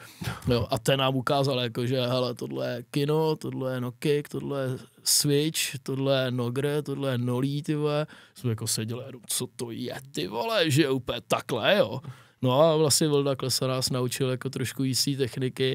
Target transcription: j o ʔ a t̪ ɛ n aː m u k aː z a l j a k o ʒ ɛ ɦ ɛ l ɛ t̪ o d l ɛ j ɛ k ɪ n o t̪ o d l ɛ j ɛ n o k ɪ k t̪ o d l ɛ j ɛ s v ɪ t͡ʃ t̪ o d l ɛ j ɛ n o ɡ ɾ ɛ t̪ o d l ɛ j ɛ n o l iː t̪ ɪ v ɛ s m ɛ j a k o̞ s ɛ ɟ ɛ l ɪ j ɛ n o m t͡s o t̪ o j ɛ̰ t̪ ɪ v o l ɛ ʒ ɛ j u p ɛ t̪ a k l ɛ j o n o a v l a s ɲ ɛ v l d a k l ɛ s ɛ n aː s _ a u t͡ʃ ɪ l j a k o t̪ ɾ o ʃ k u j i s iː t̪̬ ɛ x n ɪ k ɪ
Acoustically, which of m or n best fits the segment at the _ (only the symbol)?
n